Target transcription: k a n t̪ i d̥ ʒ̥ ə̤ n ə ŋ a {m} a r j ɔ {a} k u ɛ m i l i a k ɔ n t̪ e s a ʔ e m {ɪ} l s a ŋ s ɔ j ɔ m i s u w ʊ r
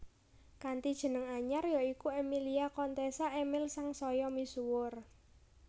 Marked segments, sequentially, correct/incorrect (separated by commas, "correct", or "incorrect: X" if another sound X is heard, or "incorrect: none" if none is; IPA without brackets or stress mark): incorrect: ɲ, incorrect: i, correct